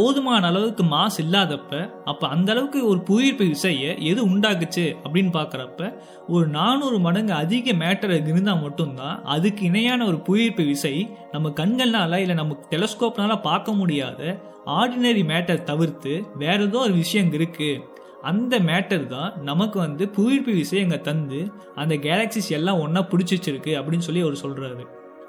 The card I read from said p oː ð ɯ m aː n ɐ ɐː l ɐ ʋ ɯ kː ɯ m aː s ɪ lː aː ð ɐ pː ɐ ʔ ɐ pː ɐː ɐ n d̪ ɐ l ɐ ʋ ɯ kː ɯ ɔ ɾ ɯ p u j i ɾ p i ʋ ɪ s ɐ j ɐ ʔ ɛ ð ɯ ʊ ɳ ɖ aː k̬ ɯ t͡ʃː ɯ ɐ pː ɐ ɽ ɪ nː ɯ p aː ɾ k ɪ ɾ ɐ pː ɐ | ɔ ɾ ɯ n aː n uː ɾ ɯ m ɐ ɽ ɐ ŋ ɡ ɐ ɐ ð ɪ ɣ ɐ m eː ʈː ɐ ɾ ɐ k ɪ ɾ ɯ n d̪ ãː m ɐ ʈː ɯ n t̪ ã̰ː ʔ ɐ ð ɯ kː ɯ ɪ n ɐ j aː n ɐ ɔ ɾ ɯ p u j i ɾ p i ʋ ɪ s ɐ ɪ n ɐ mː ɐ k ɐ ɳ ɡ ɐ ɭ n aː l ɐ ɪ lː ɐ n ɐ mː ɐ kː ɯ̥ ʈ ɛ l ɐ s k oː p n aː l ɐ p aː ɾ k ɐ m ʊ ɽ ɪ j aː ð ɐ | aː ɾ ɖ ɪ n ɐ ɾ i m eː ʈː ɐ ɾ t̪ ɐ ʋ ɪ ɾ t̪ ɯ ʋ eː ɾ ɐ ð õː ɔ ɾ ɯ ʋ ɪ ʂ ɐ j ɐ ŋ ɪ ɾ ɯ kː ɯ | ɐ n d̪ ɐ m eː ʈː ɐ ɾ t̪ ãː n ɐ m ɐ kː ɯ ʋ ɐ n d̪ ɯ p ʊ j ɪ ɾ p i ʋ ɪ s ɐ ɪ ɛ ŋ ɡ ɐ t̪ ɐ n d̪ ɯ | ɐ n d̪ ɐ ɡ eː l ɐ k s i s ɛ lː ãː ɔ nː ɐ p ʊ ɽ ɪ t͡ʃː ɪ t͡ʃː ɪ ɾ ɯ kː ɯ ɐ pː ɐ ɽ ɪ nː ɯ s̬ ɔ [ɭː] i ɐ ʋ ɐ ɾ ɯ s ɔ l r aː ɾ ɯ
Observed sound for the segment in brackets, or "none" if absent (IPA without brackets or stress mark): lː